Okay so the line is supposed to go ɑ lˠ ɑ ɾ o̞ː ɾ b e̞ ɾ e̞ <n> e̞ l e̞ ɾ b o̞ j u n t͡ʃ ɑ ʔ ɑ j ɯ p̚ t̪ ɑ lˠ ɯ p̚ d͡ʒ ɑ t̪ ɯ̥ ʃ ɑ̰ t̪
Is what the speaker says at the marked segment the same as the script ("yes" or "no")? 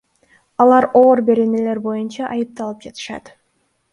yes